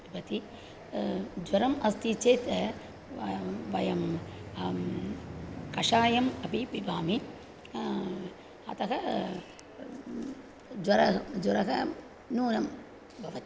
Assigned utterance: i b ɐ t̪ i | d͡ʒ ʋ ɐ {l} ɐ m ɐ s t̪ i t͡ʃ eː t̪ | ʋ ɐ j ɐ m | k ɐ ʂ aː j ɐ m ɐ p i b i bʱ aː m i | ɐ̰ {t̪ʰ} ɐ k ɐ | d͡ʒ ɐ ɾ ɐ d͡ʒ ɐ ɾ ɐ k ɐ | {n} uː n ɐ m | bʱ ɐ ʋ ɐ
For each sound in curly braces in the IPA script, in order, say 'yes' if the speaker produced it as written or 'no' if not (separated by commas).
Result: no, no, yes